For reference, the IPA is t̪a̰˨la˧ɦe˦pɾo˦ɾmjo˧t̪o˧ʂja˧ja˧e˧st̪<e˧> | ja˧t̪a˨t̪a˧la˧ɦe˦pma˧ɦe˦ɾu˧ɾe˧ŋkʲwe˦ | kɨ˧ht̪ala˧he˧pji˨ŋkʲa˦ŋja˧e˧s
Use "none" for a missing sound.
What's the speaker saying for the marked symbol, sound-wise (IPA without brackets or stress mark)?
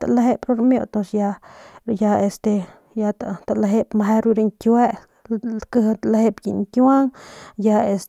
e˧